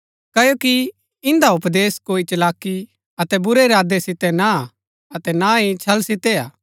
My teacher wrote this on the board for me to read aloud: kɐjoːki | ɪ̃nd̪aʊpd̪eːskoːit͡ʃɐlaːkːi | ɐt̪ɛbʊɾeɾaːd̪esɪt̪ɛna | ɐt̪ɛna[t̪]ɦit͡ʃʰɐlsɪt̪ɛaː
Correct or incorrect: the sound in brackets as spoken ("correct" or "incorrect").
incorrect